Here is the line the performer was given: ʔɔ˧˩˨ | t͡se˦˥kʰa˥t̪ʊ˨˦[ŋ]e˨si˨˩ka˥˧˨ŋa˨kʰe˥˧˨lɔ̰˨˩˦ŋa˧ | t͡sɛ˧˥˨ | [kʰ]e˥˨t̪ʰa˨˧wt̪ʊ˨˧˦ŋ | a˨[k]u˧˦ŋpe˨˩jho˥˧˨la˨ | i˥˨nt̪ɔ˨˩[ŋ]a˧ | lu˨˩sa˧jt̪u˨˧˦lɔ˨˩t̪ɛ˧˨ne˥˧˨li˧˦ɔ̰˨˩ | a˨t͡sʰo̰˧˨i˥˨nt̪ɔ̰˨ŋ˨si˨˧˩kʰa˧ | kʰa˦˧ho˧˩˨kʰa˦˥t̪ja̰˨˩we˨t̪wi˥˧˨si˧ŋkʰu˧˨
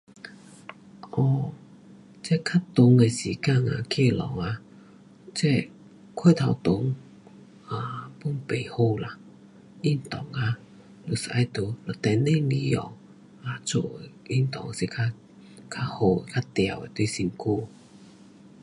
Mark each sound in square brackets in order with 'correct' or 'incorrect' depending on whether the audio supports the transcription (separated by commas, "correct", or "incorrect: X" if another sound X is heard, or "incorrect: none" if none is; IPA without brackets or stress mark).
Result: correct, correct, incorrect: p, correct